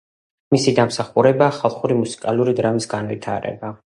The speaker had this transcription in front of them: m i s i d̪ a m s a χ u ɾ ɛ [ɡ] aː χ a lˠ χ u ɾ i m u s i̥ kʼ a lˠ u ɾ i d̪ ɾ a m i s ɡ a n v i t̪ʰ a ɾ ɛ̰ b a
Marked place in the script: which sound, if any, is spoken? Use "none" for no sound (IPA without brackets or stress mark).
b